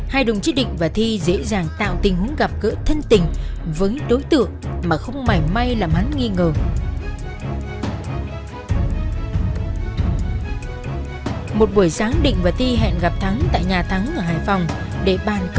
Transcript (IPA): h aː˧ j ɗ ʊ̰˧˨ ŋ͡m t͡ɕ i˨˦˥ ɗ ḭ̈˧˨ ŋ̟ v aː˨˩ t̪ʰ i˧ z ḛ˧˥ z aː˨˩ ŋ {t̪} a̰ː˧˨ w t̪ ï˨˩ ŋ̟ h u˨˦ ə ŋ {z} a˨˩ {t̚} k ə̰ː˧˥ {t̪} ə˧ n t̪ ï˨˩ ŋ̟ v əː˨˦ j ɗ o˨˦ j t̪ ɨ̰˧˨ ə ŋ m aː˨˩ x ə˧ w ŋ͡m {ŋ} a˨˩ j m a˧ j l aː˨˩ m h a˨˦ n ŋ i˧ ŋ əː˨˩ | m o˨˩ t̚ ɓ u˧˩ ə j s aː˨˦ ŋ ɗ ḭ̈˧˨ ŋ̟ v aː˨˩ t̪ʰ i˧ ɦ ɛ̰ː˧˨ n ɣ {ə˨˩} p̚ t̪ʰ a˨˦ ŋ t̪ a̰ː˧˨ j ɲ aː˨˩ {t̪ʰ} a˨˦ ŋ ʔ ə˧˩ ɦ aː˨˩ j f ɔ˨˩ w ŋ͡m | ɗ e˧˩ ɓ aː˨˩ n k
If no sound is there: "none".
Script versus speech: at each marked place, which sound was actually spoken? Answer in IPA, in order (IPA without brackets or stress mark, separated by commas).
t̪, ɣ, p̚, t̪ʰ, m, a˨˩, t̪ʰ